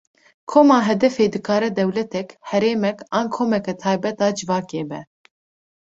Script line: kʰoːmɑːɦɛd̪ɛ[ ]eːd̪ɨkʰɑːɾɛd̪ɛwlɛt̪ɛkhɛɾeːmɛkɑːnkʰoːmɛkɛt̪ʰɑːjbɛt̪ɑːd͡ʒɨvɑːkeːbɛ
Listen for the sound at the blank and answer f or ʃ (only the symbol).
f